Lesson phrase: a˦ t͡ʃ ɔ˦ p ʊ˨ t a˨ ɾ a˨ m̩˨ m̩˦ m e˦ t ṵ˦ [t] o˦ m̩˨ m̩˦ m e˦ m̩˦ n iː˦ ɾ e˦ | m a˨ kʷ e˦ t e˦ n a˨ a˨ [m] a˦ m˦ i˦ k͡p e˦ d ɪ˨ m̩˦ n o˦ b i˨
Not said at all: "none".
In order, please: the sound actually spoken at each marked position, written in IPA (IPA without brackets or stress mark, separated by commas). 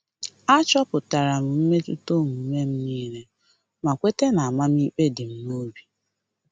t, m